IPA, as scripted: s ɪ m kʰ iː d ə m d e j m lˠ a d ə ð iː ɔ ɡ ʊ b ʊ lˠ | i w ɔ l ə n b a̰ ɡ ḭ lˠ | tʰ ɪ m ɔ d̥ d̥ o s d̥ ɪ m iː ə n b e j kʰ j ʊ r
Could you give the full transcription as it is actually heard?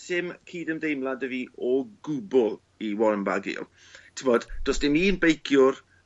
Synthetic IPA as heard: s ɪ m kʰ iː d ə m d e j m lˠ a d ə v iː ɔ ɡ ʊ b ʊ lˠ | i w ɔ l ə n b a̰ ɡ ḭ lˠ | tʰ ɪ m ɔ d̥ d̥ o s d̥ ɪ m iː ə n b e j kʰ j ʊ r